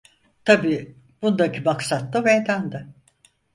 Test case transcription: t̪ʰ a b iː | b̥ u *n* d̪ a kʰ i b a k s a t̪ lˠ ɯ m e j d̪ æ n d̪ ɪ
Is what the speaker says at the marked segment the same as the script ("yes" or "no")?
yes